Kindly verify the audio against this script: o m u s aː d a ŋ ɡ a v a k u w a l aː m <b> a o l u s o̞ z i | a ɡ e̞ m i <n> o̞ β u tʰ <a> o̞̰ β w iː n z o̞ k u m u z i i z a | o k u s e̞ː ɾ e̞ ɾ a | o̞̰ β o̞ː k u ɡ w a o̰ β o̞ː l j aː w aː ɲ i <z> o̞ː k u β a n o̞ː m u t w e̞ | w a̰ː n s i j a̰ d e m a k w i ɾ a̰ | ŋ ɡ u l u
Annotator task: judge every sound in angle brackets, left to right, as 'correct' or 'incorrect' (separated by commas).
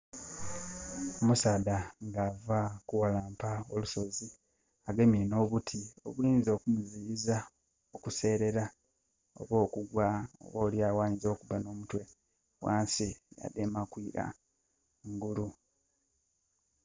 incorrect, correct, incorrect, correct